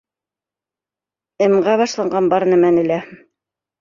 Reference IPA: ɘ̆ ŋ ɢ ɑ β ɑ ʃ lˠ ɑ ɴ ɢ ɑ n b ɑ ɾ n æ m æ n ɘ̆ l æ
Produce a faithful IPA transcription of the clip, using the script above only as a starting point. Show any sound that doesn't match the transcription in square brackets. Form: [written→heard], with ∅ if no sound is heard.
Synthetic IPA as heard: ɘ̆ [ŋ→m] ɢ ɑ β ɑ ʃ lˠ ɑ ɴ ɢ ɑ n b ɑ ɾ n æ m æ n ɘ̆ l æ